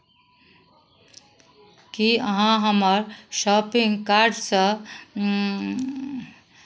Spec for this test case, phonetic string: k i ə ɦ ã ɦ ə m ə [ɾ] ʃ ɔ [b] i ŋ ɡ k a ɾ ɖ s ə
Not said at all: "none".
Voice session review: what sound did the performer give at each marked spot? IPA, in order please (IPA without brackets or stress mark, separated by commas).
ɾ, p